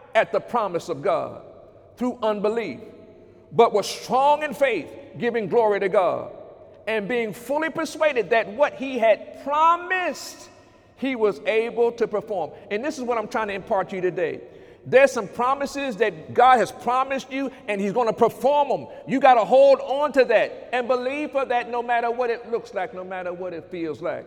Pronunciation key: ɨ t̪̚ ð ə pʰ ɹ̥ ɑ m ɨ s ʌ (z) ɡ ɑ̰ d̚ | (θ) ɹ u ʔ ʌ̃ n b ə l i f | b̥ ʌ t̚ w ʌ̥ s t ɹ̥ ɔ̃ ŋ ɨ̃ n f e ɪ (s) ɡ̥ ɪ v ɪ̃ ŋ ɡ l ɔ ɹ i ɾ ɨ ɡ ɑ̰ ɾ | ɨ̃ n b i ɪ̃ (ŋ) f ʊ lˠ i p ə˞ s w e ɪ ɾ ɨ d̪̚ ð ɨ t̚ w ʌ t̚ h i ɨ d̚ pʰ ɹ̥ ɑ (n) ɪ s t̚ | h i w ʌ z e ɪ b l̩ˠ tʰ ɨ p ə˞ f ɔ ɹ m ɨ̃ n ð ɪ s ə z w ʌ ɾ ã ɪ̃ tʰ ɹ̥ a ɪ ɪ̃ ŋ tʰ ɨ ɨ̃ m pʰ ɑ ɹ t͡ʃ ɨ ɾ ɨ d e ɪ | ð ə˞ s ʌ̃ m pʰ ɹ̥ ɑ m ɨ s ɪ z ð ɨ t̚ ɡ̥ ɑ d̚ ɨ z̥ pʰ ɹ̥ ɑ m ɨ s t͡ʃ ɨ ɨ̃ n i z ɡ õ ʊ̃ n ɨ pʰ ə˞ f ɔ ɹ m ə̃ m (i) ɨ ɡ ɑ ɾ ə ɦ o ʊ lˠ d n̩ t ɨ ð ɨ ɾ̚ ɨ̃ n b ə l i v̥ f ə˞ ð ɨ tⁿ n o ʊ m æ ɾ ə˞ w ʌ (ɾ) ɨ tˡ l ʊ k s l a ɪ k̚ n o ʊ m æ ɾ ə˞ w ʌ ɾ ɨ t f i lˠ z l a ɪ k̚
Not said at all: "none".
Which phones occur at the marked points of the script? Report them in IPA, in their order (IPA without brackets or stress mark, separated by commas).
v, θ, θ, ŋ, m, j, ɾ